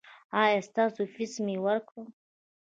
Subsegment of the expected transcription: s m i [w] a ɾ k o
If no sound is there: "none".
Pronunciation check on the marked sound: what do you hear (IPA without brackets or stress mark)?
w